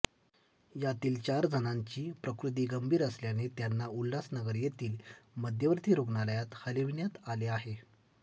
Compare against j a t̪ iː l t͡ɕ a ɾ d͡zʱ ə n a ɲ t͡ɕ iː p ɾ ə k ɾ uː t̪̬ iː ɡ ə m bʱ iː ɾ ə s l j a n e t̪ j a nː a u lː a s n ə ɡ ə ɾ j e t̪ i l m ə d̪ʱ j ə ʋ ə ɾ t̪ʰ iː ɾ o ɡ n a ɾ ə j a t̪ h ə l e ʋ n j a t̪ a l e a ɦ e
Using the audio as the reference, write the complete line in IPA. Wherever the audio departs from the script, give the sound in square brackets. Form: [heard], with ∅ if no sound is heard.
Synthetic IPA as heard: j a t̪ iː l t͡ɕ a ɾ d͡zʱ ə n a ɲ t͡ɕ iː p ɾ ə k ɾ [u] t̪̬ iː ɡ ə m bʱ iː ɾ ə s l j a n e t̪ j a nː a u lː a s n ə ɡ ə ɾ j e t̪ [iː] l m ə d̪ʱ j ə ʋ ə ɾ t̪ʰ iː ɾ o ɡ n a [l] ə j a t̪ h ə l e ʋ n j a t̪ a l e a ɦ e

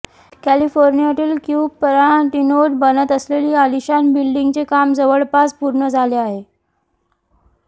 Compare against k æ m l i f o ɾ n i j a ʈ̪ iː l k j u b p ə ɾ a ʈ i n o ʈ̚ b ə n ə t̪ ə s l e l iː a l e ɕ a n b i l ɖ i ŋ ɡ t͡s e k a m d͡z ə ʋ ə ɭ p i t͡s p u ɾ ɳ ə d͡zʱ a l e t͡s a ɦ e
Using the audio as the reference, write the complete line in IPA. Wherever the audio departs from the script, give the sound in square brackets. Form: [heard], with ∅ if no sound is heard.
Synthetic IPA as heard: k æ [∅] l i f o ɾ n i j a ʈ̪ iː l k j u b p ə ɾ a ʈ i n o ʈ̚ b ə n ə t̪ ə s l e l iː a l [i] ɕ a n b i l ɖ i ŋ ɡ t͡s e k a m d͡z ə ʋ ə ɭ p [a] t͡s p u ɾ ɳ ə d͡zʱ a l e [∅] a ɦ e

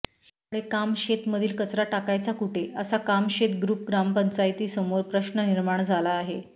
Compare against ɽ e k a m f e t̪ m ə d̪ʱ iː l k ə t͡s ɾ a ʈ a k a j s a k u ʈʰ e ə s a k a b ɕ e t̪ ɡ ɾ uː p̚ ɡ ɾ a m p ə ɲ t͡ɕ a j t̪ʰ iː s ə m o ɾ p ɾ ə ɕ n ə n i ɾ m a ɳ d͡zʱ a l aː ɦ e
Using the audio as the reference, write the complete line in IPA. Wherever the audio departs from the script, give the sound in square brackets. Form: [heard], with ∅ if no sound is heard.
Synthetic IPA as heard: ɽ e k a m [ɕ] e t̪ m ə d̪ʱ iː l k ə t͡s ɾ a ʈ a k a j [t͡s] a k u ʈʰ e ə s a k a [m] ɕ e t̪ ɡ ɾ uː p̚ ɡ ɾ a m p ə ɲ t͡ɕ a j [t̪] iː s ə m o ɾ p ɾ ə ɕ n ə n i ɾ m a ɳ d͡zʱ a l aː ɦ e

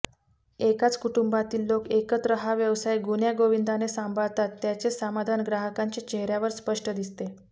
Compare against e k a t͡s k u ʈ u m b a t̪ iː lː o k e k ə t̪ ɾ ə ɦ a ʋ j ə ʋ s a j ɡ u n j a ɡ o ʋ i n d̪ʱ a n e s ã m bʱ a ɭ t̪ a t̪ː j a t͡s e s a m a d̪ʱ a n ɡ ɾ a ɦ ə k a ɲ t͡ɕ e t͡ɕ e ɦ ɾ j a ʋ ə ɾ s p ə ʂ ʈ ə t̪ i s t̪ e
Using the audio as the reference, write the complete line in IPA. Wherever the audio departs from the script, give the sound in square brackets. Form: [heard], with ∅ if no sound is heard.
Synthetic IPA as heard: e k a t͡s k u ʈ u m b a t̪ iː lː o k e k ə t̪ ɾ ə ɦ a ʋ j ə ʋ s a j ɡ u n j a ɡ o ʋ i n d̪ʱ a n e s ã m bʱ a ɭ t̪ a t̪ː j a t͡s e s a m a d̪ʱ a n ɡ ɾ a ɦ ə k a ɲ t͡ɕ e t͡ɕ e ɦ ɾ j a ʋ ə ɾ s p ə ʂ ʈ ə [d̪] i s t̪ e

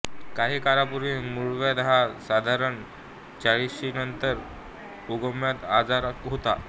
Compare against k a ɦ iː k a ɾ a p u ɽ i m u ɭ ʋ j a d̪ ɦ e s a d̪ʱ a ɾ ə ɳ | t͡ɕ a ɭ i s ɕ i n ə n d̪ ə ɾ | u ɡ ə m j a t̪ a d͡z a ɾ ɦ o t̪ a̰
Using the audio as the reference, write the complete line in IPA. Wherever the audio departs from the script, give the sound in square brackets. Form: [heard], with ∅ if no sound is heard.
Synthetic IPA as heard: k a ɦ iː k a ɾ a p u [ɾ] i m u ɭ ʋ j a d̪ ɦ [a] s a d̪ʱ a ɾ ə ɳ | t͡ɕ a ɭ i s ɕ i n ə n [t̪] ə ɾ | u ɡ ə m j a t̪ a d͡z a ɾ ɦ o t̪ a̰

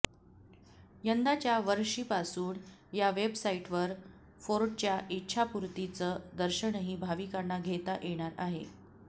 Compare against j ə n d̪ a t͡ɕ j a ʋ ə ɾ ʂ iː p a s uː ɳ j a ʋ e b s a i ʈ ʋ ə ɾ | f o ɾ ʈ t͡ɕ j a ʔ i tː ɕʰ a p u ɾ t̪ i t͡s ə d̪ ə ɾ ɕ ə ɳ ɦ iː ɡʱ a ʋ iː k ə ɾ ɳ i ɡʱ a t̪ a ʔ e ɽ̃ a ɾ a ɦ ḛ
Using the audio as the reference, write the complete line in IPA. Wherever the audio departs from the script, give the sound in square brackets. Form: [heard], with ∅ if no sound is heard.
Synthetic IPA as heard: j ə n d̪ a t͡ɕ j a ʋ ə ɾ ʂ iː p a s uː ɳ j a ʋ e b s a i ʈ ʋ ə ɾ | f o ɾ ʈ t͡ɕ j a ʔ i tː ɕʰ a p u ɾ t̪ i t͡s ə d̪ ə ɾ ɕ ə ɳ ɦ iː [bʱ] a ʋ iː k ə ɾ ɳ [a] ɡʱ [e] t̪ a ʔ e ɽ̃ a ɾ a ɦ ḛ

